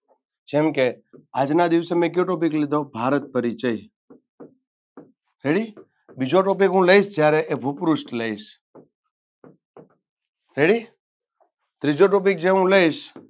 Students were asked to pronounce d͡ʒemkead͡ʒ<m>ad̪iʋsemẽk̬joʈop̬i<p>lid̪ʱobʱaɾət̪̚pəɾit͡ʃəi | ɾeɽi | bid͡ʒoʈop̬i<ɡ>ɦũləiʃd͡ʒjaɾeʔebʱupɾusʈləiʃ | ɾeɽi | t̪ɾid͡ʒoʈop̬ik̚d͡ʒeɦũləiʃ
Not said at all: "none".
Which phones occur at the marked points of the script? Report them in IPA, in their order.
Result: n, k, k

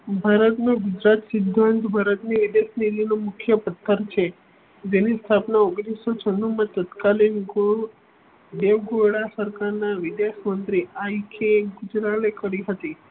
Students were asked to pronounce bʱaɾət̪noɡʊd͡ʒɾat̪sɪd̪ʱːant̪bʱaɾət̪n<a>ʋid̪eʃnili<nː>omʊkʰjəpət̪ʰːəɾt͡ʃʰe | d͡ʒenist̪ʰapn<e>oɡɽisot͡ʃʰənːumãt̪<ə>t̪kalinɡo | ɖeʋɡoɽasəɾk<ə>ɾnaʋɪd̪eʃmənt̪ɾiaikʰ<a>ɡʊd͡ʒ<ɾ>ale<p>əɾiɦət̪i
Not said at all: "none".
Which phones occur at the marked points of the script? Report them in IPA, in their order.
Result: i, n, a, ə, a, e, ɾ, k

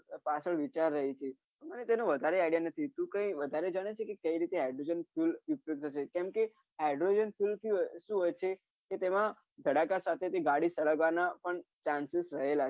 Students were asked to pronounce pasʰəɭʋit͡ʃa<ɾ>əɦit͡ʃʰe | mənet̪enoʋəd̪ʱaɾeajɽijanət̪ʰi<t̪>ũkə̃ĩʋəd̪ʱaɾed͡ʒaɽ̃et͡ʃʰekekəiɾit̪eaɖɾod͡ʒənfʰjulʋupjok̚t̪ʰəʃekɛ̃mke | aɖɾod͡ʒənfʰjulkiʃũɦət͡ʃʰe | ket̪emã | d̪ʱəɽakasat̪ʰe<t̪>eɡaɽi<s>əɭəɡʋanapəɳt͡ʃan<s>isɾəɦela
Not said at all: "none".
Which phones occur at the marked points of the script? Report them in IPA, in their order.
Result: ɾː, t̪, t̪, s, s

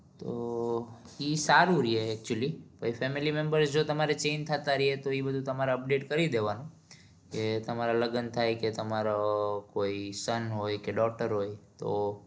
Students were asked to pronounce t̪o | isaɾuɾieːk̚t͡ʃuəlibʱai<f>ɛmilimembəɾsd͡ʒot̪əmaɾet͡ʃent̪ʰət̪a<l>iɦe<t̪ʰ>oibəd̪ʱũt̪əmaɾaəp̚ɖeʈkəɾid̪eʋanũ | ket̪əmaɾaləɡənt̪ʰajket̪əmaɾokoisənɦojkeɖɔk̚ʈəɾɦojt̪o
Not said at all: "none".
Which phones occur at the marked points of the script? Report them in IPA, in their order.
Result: f, ɾ, t̪

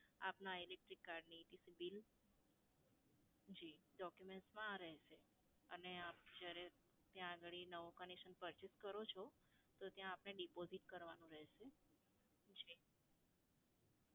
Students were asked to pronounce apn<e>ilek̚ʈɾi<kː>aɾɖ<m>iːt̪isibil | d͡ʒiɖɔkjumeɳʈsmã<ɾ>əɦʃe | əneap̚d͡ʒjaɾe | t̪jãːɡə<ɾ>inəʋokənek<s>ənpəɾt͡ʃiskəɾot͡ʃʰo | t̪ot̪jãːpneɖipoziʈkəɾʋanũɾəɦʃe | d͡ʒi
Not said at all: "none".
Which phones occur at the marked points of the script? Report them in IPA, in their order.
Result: a, kː, n, ɾ, ɭ, ʃ

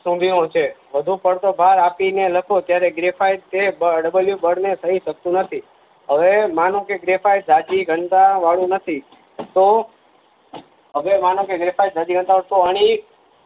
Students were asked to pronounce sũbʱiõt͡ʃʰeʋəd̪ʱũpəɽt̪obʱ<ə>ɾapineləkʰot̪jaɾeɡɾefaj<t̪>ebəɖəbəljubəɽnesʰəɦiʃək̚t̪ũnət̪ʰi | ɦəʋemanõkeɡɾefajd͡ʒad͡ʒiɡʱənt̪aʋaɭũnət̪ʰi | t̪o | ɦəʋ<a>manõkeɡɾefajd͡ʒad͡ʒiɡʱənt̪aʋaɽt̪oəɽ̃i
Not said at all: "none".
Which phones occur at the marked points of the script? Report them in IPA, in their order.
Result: a, t̪, e

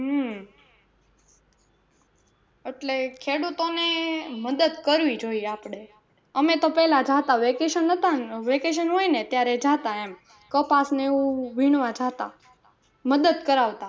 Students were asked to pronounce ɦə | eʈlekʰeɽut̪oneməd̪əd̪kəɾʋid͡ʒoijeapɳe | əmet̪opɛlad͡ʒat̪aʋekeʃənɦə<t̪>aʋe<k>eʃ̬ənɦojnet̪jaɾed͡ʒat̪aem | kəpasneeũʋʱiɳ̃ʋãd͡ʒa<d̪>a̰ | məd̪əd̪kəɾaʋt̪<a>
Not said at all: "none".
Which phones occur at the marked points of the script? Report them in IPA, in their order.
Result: t̪, k, t̪, a

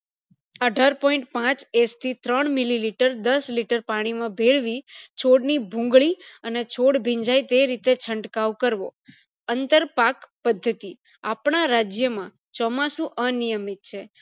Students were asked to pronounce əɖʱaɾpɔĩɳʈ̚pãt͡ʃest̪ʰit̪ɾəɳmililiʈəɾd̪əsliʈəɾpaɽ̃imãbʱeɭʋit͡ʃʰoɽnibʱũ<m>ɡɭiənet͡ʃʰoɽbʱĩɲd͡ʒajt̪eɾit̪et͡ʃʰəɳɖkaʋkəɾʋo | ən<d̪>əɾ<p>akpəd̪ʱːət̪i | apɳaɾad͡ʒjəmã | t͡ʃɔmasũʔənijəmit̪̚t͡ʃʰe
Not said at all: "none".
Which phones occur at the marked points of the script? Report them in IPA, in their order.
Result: ŋ, t̪, p

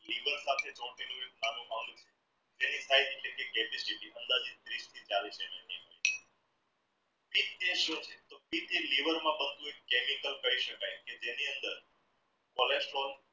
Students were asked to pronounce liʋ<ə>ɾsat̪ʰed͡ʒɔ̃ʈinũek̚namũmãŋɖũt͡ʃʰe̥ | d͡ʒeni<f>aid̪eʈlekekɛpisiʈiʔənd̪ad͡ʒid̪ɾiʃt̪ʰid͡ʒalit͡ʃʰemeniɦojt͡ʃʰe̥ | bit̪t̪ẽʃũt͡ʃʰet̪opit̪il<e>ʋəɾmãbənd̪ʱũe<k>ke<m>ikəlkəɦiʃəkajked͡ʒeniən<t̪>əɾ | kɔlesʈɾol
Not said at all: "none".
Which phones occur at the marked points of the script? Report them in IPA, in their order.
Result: ə, s, i, k, m, d̪

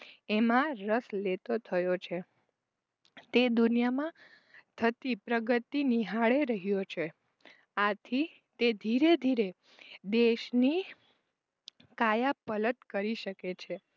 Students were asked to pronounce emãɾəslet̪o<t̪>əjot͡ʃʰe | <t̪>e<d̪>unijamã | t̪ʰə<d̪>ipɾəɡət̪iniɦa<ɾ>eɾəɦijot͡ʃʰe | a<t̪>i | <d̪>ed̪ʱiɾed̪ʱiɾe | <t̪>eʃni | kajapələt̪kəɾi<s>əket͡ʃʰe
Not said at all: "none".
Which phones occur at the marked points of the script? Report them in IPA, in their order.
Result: t̪ʰ, t̪, d̪, t̪, ɭ, t̪ʰ, t̪, d̪, ʃ

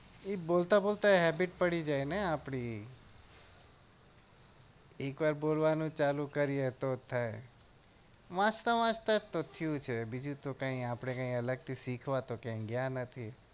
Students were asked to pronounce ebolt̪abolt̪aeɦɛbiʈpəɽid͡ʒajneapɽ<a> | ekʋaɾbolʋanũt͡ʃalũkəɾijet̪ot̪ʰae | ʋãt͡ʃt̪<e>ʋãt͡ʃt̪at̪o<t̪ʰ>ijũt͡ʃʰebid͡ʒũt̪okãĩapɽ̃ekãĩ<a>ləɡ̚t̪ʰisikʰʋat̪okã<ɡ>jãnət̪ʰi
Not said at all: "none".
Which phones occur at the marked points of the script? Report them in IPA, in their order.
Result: i, a, t̪ʰ, ə, ɡ

